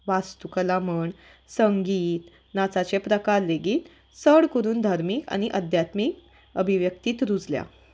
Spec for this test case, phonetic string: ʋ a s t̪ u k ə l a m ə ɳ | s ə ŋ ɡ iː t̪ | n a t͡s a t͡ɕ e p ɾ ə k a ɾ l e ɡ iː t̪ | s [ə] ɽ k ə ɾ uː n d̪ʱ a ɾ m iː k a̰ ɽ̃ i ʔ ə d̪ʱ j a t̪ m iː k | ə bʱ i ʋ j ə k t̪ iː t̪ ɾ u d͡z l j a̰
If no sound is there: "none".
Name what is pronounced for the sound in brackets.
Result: ə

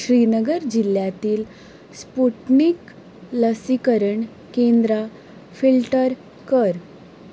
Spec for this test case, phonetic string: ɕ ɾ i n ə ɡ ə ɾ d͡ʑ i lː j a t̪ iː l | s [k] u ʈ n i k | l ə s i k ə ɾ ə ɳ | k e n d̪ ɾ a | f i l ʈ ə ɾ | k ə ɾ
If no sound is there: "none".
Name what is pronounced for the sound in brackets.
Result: p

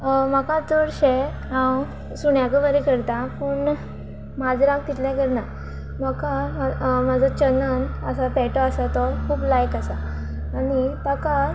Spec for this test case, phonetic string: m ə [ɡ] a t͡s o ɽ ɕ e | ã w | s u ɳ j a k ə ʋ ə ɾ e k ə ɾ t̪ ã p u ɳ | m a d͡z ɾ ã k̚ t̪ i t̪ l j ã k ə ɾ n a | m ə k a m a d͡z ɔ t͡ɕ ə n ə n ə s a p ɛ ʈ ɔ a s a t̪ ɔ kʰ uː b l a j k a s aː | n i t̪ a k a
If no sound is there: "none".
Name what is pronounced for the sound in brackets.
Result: k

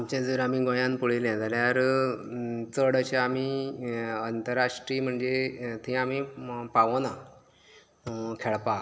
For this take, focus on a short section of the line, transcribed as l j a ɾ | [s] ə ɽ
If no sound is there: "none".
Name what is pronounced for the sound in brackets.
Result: t͡s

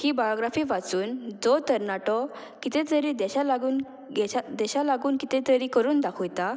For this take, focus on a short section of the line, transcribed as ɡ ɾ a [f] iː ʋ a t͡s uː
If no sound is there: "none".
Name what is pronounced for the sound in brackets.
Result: f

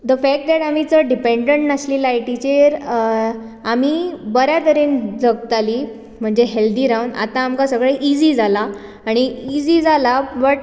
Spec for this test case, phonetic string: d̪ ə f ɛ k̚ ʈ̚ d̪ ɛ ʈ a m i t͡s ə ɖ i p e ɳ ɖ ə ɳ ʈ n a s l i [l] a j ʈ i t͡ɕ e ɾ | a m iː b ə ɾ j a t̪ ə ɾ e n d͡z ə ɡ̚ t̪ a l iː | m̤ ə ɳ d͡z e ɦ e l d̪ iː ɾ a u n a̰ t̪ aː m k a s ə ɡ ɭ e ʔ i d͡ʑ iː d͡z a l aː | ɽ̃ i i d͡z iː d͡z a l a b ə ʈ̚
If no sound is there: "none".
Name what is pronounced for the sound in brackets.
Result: l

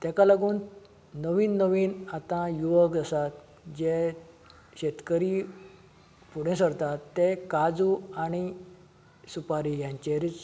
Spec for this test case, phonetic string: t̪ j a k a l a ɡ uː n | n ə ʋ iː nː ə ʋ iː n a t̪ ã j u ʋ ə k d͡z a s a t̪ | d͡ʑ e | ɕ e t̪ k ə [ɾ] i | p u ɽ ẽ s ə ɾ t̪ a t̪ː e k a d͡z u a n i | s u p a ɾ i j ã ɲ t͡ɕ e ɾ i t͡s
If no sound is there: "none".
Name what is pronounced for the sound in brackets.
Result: ɾ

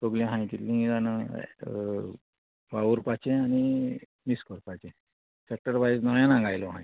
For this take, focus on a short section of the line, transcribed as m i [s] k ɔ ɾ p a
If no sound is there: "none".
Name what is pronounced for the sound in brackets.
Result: s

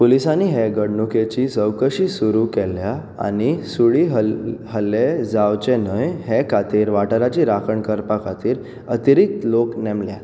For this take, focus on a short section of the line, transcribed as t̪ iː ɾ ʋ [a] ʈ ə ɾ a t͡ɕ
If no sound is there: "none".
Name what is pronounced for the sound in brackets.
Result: a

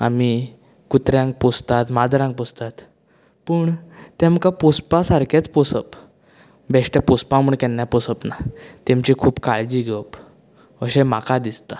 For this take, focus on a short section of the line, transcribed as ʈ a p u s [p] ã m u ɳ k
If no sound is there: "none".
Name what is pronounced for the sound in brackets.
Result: p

